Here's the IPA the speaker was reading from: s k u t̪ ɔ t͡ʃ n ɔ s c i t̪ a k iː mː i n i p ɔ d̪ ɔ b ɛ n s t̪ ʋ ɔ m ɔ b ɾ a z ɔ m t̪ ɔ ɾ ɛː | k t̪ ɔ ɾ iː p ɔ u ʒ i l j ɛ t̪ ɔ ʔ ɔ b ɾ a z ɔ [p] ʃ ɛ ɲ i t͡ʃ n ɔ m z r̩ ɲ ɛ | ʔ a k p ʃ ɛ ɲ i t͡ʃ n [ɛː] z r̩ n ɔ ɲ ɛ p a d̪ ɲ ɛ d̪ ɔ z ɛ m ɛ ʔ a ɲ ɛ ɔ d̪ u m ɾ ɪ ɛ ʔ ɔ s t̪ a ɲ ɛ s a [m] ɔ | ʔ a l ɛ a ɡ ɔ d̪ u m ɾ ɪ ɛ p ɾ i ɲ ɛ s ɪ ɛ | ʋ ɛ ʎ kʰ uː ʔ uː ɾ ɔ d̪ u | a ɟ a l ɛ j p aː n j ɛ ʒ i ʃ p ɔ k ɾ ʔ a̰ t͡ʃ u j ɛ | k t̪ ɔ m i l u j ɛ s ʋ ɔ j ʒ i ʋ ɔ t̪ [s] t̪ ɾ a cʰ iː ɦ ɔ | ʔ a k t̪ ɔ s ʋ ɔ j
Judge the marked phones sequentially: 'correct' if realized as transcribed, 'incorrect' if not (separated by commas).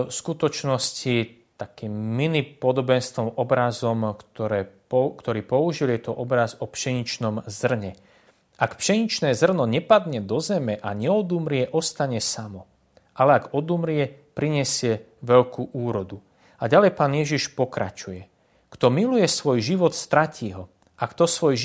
correct, correct, correct, correct